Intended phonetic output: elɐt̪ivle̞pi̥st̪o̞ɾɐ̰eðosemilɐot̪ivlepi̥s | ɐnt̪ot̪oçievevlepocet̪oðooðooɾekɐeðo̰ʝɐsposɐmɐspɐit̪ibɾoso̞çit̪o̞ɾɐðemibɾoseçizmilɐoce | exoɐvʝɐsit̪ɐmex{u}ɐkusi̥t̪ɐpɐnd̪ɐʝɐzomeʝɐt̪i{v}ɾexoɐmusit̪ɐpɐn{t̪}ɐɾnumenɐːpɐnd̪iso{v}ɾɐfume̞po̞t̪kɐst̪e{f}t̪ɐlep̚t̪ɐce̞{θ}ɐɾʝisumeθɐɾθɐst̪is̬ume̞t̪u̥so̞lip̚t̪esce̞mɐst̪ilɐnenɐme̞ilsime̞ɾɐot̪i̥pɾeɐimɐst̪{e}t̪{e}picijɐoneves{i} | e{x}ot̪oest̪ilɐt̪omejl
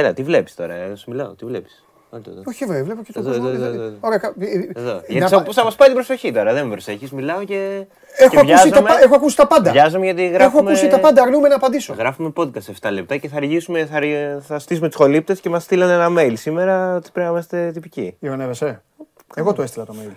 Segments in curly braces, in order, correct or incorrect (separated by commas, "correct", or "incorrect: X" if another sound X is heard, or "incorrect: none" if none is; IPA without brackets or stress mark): incorrect: o, incorrect: ɣ, incorrect: d̪, incorrect: ɣ, correct, correct, correct, incorrect: i, incorrect: e, incorrect: ɣ